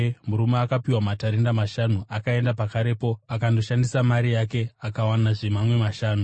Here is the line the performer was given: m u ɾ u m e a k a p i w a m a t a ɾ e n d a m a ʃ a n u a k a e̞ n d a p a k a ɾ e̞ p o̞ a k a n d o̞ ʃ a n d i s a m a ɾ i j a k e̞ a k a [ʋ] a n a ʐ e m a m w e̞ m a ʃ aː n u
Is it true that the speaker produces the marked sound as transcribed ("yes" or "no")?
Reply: no